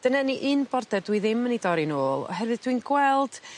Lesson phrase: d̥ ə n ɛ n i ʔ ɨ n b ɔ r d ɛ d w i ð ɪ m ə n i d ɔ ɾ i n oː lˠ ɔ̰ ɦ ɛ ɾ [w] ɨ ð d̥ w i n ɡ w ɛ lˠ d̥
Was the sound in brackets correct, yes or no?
no